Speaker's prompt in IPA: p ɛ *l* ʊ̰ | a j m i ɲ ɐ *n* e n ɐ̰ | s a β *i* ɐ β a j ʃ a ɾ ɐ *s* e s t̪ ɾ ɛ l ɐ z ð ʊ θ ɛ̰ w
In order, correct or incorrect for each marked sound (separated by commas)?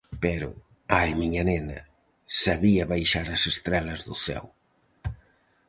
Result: incorrect, correct, correct, correct